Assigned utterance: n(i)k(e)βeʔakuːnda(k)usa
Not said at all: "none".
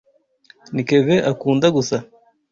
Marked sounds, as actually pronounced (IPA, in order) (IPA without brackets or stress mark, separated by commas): i, e, ɡ